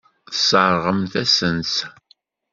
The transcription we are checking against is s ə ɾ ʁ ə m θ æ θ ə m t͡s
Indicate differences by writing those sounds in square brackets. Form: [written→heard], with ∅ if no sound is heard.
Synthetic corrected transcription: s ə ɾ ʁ ə m θ æ [θ→s] ə [m→n] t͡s